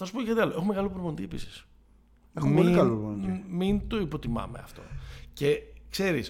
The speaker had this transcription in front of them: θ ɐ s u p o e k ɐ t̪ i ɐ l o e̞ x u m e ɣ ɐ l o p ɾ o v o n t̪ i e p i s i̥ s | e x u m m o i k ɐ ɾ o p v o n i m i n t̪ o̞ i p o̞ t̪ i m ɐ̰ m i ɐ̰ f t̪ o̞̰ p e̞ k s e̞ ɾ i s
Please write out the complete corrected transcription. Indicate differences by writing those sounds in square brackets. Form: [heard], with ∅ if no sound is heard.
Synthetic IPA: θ ɐ s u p o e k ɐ t̪ i ɐ l o e̞ x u m e ɣ ɐ l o p ɾ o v o n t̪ i e p i s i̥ s | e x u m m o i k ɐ [l] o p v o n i m i n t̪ o̞ i p o̞ t̪ i m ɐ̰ m [e] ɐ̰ f t̪ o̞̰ [c] e̞ k s e̞ ɾ i s